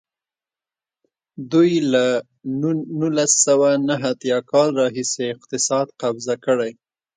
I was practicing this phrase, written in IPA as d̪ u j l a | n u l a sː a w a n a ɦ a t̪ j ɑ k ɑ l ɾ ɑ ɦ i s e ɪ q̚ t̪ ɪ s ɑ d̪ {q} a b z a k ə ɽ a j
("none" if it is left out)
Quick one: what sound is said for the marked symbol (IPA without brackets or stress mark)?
q